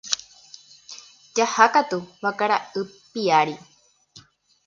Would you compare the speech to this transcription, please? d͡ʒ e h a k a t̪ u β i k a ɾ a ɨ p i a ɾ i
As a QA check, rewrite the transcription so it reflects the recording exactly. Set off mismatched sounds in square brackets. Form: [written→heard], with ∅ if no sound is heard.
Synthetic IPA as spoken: d͡ʒ [e→a] h a k a t̪ u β [i→a] k a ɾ a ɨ p i a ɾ i